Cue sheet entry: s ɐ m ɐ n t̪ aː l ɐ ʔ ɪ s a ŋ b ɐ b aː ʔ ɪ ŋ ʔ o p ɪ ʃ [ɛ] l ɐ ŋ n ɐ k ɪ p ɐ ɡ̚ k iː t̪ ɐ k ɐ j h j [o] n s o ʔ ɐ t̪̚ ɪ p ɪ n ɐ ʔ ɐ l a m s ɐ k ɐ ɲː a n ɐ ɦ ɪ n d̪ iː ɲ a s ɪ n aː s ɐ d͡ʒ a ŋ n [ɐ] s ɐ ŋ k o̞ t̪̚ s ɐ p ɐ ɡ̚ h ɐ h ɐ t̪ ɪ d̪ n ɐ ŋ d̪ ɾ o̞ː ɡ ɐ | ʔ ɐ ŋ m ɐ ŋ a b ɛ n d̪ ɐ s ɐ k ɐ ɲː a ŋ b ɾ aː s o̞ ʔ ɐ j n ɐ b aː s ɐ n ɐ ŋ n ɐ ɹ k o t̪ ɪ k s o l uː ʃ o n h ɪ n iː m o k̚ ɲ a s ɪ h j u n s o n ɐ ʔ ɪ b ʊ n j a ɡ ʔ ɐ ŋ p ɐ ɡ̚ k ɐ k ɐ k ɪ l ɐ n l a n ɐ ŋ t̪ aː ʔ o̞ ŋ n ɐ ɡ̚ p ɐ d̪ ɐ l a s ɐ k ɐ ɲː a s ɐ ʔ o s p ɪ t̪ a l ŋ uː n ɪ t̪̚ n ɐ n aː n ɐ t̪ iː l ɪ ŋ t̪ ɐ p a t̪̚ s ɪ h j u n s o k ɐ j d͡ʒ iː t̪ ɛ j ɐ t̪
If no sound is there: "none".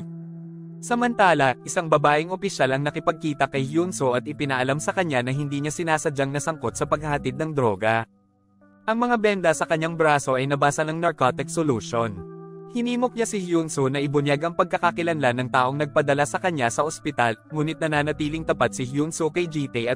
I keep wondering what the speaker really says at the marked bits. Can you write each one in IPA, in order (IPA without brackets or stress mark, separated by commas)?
a, u, ɐ